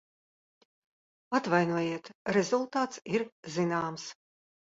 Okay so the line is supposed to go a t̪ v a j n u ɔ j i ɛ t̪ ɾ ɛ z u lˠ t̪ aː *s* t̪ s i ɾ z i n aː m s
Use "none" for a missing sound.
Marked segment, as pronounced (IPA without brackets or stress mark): none